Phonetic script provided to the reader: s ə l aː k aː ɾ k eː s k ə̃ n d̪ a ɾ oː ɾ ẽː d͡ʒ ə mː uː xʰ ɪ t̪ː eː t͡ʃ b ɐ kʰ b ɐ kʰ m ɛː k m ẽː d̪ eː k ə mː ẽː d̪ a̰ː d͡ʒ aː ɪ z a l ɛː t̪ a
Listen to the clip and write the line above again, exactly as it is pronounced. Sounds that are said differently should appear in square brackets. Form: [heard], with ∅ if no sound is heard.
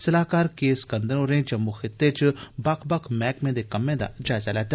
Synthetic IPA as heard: s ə l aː k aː ɾ k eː s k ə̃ n d̪ [ə] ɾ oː ɾ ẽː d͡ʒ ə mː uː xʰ ɪ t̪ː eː t͡ʃ b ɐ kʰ b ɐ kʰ m ɛː k m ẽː d̪ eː k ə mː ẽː d̪ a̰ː d͡ʒ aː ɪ z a l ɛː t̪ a